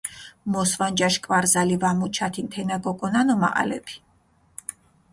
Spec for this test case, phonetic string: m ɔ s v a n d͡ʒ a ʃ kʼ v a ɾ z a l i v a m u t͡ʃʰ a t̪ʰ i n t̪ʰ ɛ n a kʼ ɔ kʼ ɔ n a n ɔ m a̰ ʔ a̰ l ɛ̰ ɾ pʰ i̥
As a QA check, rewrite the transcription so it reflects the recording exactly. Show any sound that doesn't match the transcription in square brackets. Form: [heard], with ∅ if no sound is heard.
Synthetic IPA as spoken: m ɔ s v a n d͡ʒ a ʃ kʼ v a ɾ z a l i v a m u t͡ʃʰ a t̪ʰ i n t̪ʰ ɛ n a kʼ ɔ kʼ ɔ n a n ɔ m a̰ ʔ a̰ l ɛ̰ [∅] pʰ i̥